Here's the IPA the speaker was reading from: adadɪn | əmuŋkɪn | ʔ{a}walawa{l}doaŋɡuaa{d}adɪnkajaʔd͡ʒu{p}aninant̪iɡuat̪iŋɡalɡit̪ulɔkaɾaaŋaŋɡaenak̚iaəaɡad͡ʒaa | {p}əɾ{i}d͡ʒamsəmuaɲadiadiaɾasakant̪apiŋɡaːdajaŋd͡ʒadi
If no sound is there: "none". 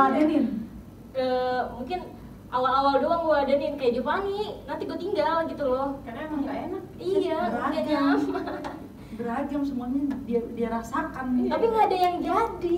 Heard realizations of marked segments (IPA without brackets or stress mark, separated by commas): a, l, d, p, b, a